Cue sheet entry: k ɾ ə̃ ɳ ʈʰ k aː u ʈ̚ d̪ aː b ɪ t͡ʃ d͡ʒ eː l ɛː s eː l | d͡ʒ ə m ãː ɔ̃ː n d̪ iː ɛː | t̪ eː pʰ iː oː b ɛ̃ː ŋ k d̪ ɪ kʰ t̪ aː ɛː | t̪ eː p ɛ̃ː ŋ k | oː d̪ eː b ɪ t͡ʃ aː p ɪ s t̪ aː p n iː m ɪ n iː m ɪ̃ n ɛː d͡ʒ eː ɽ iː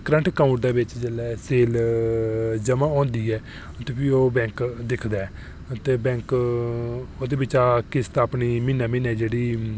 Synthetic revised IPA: k ɾ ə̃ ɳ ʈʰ k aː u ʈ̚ d̪ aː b ɪ t͡ʃ d͡ʒ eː l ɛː s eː l | d͡ʒ ə m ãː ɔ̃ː n d̪ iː ɛː | t̪ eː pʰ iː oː b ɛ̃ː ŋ k d̪ ɪ kʰ d̪ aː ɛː | t̪ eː b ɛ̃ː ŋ k | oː d̪ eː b ɪ t͡ʃ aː k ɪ s t̪ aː p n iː m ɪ n aː m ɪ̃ n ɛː d͡ʒ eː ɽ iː